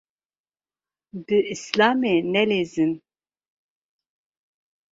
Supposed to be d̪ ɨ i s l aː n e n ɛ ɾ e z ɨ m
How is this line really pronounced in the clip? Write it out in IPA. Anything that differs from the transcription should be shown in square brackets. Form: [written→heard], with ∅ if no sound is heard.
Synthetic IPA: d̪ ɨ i s l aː [n→m] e n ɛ [ɾ→l] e z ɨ [m→n]

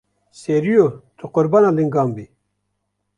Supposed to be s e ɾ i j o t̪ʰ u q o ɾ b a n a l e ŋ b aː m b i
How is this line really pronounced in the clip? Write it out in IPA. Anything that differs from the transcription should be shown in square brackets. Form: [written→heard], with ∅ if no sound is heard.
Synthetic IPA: s e ɾ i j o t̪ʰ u q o ɾ b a n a l [e→i] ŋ [b→ɡ] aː m b i

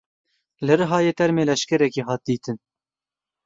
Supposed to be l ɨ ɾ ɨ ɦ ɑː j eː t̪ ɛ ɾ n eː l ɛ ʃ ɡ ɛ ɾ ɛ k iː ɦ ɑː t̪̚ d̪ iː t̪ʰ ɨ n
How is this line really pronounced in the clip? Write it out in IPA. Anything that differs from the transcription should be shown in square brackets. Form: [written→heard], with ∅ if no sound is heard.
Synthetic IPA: l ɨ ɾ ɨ ɦ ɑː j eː t̪ ɛ ɾ [n→m] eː l ɛ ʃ [ɡ→k] ɛ ɾ ɛ k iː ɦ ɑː t̪̚ d̪ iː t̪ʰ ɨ n

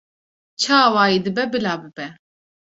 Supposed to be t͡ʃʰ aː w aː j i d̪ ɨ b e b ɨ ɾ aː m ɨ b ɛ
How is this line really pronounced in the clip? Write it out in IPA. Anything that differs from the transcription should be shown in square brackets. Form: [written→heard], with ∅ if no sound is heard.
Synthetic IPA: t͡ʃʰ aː w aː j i d̪ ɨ b [e→ɛ] b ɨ [ɾ→l] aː [m→b] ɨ b ɛ

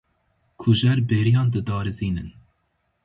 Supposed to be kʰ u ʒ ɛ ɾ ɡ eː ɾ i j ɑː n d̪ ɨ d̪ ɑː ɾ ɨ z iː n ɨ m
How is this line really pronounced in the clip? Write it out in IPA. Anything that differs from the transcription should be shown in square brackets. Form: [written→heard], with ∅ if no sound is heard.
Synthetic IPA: kʰ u ʒ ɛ ɾ [ɡ→b] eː ɾ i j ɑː n d̪ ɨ d̪ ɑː ɾ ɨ z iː n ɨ [m→n]

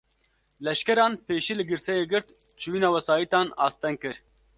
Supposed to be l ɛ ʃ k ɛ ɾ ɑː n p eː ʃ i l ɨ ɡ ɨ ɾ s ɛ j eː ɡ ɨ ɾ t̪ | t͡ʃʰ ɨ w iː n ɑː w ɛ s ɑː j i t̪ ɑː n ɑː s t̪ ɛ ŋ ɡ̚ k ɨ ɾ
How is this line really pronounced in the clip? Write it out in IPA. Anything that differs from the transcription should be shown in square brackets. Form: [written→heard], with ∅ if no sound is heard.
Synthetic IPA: l ɛ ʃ k ɛ ɾ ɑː n p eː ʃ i l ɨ ɡ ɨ ɾ s ɛ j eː ɡ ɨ ɾ t̪ | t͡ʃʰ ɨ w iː n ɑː w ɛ s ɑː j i t̪ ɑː n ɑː s t̪ ɛ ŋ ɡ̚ k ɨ ɾ

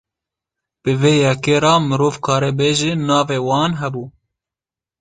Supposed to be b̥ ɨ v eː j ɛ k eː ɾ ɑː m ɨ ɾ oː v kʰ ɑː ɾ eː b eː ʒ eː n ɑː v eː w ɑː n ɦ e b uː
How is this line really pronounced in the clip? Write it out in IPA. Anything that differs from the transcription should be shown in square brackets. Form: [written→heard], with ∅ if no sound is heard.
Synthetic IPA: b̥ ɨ v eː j ɛ k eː ɾ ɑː m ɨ ɾ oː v kʰ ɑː ɾ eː b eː ʒ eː n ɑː v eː w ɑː n ɦ [e→ɛ] b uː

